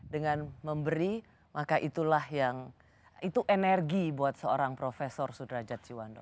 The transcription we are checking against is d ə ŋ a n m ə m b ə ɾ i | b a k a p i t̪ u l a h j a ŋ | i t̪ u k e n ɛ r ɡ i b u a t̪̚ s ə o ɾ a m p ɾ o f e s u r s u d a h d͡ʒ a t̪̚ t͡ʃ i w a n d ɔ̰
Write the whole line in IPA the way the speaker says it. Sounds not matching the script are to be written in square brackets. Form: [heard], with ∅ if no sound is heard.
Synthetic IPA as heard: d ə ŋ a n m ə m b ə ɾ i | [m] a k a [ʔ] i t̪ u l a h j a ŋ | i t̪ u [ʔ] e n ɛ r ɡ i b u a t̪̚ s ə o ɾ a [ŋ] p ɾ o f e s [ɔ] r s u d a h d͡ʒ a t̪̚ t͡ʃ i w a n d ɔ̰

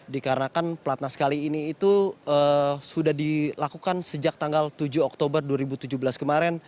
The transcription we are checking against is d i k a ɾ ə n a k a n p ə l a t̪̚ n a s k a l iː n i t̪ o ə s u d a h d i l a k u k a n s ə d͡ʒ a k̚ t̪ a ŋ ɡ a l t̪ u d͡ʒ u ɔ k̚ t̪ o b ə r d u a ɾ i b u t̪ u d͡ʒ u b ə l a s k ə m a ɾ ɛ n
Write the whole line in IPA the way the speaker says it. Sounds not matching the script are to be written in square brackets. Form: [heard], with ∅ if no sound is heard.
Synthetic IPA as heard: d i k a ɾ ə n a k a n p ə l a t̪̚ n a s k a l iː n [iː] t̪ [u] ə s u d a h d i l a k u k a n s ə d͡ʒ a k̚ t̪ a ŋ ɡ a l t̪ u d͡ʒ u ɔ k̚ t̪ o b ə r d u a ɾ i b u t̪ u d͡ʒ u b ə l a s k ə m a ɾ ɛ n

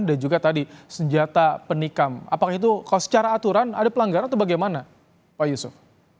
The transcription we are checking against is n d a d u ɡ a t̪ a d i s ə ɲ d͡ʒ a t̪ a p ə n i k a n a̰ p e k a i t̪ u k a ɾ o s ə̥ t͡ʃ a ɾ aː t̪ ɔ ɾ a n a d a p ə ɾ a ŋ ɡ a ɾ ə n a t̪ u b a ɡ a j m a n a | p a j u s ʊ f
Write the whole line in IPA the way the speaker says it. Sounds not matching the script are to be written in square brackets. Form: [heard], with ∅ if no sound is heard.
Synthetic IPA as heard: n d a [d͡ʒ] u ɡ a t̪ a d i s ə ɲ d͡ʒ a t̪ a p ə n i k a [m] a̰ p [a] k a i t̪ u k a [l] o s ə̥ t͡ʃ a ɾ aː t̪ [u] ɾ a n a d a p ə [l] a ŋ ɡ a ɾ [a] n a t̪ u b a ɡ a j m a n a | p a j u s ʊ f

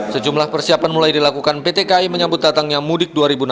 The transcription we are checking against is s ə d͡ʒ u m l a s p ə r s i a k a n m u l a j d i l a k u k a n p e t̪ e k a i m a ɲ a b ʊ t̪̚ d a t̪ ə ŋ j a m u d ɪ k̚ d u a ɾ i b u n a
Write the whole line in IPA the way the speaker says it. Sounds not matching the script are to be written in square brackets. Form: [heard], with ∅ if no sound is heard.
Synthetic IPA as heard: s ə d͡ʒ u m l a [h] p ə r s i a [p] a n m u l a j d i l a k u k a n p e t̪ e k a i m [ə] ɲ a b ʊ t̪̚ d a t̪ [a] ŋ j a m u d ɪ k̚ d u a ɾ i b u n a

